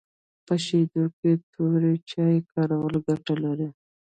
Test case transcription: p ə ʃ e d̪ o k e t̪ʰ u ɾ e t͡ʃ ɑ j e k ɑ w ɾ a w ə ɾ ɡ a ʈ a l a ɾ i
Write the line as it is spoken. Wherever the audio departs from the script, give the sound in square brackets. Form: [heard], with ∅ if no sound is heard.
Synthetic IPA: p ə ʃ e d̪ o k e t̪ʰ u ɾ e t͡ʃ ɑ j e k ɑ [∅] ɾ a w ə [l] ɡ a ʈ a l a ɾ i